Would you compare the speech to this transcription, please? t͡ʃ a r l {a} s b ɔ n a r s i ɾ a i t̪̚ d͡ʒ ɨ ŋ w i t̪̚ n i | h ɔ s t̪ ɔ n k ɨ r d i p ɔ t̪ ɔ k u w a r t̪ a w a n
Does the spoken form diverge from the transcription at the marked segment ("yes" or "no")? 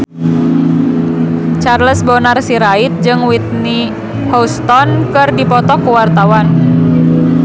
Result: yes